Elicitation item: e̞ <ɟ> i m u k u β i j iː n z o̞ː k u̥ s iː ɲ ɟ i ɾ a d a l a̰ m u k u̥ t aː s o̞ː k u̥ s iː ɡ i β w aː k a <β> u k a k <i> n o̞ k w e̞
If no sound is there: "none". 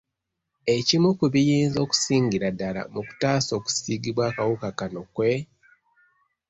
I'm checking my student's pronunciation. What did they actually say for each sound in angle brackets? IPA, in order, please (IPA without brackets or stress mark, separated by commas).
c, w, a